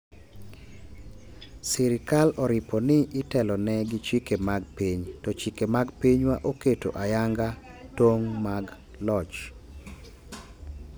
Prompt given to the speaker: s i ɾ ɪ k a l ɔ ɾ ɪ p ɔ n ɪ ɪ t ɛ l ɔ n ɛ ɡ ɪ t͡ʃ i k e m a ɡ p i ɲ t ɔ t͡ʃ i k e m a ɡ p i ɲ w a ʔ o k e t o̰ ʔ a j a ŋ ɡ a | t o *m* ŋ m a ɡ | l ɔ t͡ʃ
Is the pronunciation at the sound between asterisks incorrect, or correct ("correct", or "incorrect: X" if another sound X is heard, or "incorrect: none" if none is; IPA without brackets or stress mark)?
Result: incorrect: none